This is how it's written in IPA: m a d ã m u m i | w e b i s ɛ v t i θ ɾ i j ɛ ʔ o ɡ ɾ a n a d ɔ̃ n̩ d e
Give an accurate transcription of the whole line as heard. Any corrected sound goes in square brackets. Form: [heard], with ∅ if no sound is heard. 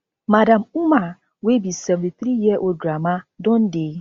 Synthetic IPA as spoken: m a d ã m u m [a] | w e b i s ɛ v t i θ ɾ i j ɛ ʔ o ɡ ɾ a [m] a d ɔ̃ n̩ d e